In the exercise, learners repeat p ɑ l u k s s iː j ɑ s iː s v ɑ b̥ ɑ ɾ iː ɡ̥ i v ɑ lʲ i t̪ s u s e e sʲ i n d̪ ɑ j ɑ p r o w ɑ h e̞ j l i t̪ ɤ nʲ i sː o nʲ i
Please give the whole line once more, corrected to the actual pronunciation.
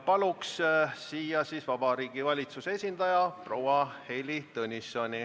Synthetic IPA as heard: p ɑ l u k s s iː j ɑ s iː s v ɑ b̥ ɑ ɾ iː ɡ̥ i v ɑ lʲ i t̪ s u s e e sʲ i n d̪ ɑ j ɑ p r o w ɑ h e̞ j l i t̪ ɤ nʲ i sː o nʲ i